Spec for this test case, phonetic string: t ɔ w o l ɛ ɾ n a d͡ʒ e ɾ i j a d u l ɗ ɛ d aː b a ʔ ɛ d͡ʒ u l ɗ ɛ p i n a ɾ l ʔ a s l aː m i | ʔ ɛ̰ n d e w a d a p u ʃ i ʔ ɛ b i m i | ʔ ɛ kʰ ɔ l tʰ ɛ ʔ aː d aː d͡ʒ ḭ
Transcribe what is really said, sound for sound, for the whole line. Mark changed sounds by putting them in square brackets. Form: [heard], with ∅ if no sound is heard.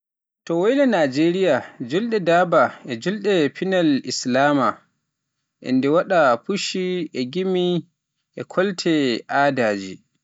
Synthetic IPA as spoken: t ɔ w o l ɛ [∅] n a d͡ʒ e ɾ i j a [d͡ʒ] u l ɗ ɛ d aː b a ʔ ɛ d͡ʒ u l ɗ ɛ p i n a [∅] l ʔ [i] s l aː m [a] | ʔ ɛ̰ n d [ɛ] w a [ɗ] a p u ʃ i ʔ ɛ [ɡ] i m i | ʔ ɛ kʰ ɔ l tʰ ɛ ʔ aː d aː d͡ʒ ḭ

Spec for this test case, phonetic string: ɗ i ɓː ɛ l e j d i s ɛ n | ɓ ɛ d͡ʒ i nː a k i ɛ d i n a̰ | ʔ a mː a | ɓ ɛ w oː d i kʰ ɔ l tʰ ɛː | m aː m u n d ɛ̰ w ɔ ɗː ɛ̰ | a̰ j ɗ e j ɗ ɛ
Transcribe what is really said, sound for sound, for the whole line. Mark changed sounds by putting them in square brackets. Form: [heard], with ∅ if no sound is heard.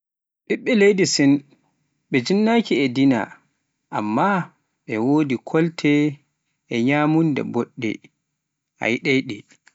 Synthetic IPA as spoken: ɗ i ɓː ɛ l e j d i s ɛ n | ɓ ɛ d͡ʒ i nː a k i ɛ d i n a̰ | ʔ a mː a | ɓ ɛ w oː d i kʰ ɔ l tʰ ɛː | [ɲ] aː m u n d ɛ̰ [b] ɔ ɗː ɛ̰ | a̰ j ɗ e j ɗ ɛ

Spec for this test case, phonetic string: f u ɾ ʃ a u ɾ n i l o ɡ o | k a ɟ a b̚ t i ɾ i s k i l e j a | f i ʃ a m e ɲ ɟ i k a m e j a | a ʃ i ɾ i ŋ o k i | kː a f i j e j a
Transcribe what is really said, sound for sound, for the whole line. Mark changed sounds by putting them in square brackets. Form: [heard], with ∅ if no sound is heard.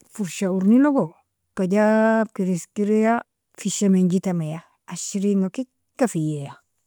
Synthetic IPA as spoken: f u ɾ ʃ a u ɾ n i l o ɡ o | k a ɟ a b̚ [k] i ɾ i s k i [ɾ] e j a | f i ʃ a m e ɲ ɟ i [t] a m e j a | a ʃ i ɾ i ŋ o k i | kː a f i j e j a

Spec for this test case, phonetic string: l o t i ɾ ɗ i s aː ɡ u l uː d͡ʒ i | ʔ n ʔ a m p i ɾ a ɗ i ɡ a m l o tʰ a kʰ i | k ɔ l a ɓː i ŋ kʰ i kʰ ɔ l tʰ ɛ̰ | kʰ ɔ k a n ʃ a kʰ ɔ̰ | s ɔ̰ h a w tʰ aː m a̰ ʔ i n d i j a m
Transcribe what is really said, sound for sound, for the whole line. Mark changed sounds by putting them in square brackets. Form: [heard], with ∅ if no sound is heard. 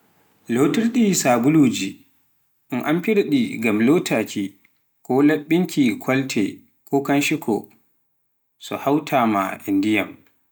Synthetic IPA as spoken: l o t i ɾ ɗ i s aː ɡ u l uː d͡ʒ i | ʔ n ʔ a m p i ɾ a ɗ i ɡ a m l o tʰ a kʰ i | k ɔ l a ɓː i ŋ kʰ i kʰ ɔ l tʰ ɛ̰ | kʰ ɔ k a n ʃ [i] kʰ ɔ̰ | s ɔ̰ h a w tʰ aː m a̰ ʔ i n d i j a m

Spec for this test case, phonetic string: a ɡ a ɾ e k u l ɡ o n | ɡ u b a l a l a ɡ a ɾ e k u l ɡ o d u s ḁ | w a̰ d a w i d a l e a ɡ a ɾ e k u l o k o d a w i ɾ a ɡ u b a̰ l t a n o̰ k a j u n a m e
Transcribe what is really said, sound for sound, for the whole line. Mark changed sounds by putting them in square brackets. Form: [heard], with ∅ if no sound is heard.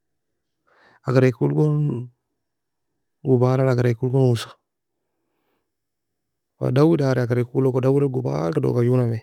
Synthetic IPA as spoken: a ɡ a ɾ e k u l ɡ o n | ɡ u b a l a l a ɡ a ɾ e k u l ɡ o [n] u s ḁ | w a̰ d a w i d a [ɾ] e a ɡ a ɾ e k u l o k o d a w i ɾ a ɡ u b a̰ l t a [d] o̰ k a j u n a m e

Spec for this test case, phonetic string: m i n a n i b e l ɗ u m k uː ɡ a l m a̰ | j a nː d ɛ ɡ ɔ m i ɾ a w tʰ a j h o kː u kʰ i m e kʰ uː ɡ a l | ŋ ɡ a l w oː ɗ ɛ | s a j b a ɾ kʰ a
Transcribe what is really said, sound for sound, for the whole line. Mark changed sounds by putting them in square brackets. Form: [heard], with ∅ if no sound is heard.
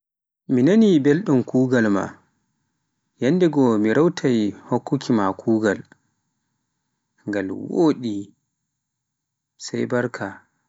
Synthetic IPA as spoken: m i n a n i b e l ɗ u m k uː ɡ a l m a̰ | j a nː d ɛ ɡ ɔ m i ɾ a w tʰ a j h o kː u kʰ i m [a] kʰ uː ɡ a l | ŋ ɡ a l w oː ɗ [i] | s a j b a ɾ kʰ a

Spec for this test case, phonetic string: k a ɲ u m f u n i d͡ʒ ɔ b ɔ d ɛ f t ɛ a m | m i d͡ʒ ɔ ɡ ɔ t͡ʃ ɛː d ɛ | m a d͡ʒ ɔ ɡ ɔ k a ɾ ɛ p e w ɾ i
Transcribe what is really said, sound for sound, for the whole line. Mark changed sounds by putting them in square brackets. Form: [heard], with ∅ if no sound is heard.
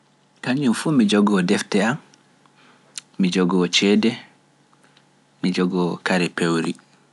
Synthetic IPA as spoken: k a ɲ u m f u [m] i d͡ʒ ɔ [ɡ] ɔ d ɛ f t ɛ a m | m i d͡ʒ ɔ ɡ ɔ t͡ʃ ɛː d ɛ | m [i] d͡ʒ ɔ ɡ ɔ k a ɾ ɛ p e w ɾ i

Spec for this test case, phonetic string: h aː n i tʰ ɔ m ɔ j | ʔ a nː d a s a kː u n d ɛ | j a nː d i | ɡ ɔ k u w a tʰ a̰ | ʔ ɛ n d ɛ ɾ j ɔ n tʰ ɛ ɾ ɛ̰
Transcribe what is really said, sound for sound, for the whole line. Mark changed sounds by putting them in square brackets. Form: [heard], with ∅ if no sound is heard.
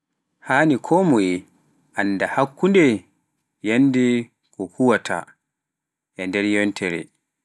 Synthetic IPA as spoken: h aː n i [kʰ] ɔ m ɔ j | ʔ a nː d a [h] a kː u n d ɛ | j a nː d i | [k] ɔ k u w a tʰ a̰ | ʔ ɛ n d ɛ ɾ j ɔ n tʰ ɛ ɾ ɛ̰

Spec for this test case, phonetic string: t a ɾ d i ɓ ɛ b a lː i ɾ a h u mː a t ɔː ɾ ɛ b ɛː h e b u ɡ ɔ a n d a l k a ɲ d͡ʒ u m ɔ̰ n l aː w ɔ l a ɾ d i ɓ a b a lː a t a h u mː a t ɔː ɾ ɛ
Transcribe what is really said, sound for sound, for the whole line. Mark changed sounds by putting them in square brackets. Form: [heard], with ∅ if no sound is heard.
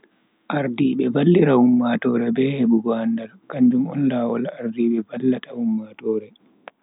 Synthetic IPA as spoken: [ʔ] a ɾ d i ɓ ɛ b a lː i ɾ a h u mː a t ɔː ɾ ɛ b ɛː h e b u ɡ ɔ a n d a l k a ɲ d͡ʒ u m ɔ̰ n l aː w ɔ l a ɾ d i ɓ [ɛ] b a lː a t a h u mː a t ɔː ɾ ɛ

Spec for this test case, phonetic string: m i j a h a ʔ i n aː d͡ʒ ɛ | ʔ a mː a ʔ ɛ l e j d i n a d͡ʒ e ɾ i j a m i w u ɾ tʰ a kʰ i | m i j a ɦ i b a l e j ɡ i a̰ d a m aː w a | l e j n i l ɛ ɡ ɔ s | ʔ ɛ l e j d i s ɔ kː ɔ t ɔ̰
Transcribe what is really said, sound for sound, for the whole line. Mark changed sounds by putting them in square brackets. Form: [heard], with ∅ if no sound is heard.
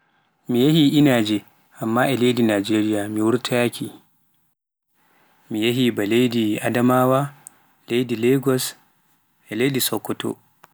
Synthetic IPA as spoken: m i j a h [i] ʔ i n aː d͡ʒ ɛ | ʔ a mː a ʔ ɛ l e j d i n a d͡ʒ e ɾ i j a m i w u ɾ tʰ a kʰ i | m i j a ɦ i b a l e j [d] i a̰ d a m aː w a | l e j [d] i l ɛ ɡ ɔ s | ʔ ɛ l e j d i s ɔ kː ɔ t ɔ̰

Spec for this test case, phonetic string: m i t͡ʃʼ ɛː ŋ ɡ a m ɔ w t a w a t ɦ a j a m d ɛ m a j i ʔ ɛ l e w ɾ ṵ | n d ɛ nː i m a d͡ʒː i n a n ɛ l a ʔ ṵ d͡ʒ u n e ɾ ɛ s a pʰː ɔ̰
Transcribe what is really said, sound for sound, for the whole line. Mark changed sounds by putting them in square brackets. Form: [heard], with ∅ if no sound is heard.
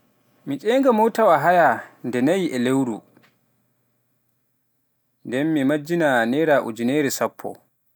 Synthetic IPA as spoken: m i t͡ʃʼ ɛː ŋ ɡ a m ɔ w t a w a [∅] ɦ a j a [n] d ɛ [n] a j i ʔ ɛ l e w ɾ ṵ | n d ɛ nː i m a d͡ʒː i n a n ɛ [ɾ] a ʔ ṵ d͡ʒ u n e ɾ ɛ s a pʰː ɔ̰

